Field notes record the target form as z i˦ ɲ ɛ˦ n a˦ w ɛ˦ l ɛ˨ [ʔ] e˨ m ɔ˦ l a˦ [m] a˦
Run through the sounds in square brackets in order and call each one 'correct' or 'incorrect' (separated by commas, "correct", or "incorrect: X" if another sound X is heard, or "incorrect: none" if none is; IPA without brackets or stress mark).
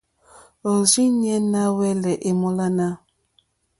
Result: correct, incorrect: n